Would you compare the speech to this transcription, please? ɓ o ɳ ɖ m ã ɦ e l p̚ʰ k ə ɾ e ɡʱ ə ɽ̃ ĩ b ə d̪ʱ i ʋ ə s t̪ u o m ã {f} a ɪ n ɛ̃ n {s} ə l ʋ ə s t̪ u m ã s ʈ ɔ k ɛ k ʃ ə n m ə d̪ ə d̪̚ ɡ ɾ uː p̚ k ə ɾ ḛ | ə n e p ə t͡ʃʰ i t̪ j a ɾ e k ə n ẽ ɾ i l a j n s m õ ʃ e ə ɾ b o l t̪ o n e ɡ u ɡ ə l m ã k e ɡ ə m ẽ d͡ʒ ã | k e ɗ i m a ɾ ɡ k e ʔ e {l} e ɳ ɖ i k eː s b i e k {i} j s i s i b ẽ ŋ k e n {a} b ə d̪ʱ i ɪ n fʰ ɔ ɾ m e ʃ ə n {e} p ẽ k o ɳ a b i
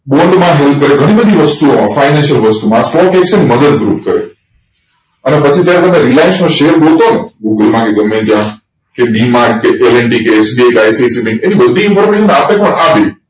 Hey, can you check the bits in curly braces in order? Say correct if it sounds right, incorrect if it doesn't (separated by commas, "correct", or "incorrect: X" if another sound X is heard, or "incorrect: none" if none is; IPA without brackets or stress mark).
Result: correct, incorrect: ʃ, correct, incorrect: a, incorrect: i, incorrect: a